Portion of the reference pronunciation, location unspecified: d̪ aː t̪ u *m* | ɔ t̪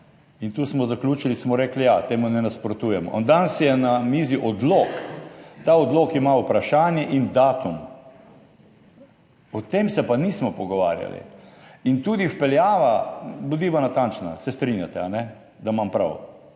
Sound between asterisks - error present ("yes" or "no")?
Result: no